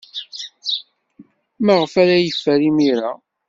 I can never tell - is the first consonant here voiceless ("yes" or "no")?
no